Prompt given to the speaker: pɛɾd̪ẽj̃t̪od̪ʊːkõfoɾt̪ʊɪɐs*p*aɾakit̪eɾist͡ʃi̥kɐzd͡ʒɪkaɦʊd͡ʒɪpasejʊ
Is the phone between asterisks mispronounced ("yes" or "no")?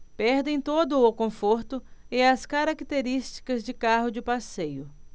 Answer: yes